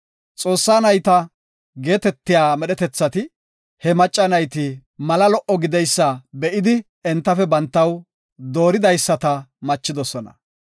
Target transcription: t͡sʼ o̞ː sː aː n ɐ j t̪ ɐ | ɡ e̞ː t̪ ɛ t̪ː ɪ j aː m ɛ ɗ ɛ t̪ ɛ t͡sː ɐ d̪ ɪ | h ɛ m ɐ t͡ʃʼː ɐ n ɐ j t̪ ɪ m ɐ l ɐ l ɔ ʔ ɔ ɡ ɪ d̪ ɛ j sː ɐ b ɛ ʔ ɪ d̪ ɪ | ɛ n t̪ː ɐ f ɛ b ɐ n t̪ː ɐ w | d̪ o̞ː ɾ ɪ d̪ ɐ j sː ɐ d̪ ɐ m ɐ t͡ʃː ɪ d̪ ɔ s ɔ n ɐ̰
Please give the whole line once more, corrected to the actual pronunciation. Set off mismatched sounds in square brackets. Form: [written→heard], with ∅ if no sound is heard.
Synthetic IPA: t͡sʼ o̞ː sː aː n ɐ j t̪ ɐ | ɡ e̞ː t̪ ɛ t̪ː ɪ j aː m ɛ ɗ ɛ t̪ ɛ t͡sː ɐ [d̪→t̪] ɪ | h ɛ m ɐ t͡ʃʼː ɐ n ɐ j t̪ ɪ m ɐ l ɐ l ɔ ʔ ɔ ɡ ɪ d̪ ɛ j sː ɐ b ɛ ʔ ɪ d̪ ɪ | ɛ n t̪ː ɐ f ɛ b ɐ n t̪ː ɐ w | d̪ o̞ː ɾ ɪ d̪ ɐ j sː ɐ [d̪→t̪] ɐ m ɐ t͡ʃː ɪ d̪ ɔ s ɔ n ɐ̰